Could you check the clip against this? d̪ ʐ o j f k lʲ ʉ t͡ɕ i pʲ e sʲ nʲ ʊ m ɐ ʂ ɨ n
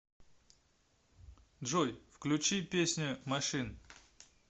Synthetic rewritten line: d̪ ʐ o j f k lʲ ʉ t͡ɕ i pʲ e sʲ nʲ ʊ m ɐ ʂ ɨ n